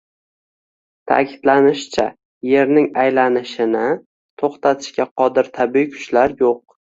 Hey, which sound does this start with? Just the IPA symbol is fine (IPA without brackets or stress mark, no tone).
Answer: t̪ʰ